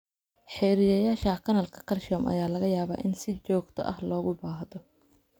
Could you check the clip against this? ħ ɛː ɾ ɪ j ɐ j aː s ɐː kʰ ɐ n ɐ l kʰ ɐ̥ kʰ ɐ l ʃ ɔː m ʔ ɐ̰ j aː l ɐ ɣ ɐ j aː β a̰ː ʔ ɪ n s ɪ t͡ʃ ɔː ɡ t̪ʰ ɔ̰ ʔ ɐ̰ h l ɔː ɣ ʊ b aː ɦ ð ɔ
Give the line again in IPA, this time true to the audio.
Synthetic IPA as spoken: ħ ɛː ɾ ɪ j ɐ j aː ʃ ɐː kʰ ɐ n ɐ l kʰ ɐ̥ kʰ ɐ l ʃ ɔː m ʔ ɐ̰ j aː l ɐ ɣ ɐ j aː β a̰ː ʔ ɪ n s ɪ t͡ʃ ɔː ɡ t̪ʰ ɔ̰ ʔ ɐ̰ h l ɔː ɣ ʊ b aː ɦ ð ɔ